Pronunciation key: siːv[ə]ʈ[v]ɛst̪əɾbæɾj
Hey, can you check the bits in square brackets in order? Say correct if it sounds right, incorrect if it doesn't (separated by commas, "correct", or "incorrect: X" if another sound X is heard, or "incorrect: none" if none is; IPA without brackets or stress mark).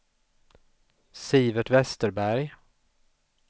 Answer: correct, correct